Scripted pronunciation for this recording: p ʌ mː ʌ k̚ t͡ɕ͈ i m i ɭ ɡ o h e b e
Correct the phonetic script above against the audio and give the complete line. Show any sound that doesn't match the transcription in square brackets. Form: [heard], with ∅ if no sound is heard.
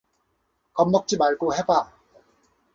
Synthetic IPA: [k] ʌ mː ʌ k̚ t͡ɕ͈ i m [a] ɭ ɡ o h e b [a]